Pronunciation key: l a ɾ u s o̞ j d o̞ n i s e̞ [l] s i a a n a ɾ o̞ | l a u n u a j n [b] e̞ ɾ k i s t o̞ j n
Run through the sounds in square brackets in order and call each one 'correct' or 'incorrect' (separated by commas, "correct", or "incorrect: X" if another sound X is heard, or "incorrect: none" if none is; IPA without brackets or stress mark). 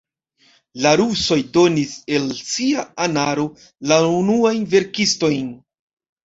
correct, incorrect: v